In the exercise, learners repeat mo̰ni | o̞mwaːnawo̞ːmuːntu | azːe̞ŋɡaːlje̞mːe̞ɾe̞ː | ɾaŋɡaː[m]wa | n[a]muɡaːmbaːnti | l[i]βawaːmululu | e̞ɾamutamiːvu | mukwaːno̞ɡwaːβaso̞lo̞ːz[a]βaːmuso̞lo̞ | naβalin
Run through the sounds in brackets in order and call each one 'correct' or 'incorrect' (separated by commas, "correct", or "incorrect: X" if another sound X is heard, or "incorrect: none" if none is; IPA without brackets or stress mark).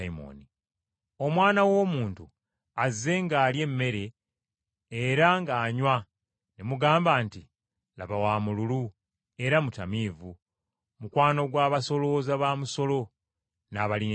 incorrect: ɲ, incorrect: e, incorrect: a, correct